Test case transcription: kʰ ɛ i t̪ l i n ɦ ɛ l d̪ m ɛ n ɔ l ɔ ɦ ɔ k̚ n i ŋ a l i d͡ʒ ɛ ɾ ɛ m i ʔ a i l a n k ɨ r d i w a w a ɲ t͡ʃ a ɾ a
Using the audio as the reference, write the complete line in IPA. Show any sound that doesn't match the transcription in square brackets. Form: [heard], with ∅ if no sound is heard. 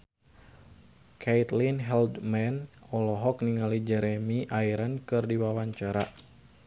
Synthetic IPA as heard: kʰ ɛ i t̪ l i n ɦ ɛ l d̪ m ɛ n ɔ l ɔ ɦ ɔ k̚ n i ŋ a l i d͡ʒ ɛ ɾ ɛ m i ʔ a i [ɾ] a n k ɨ r d i w a w a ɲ t͡ʃ a ɾ a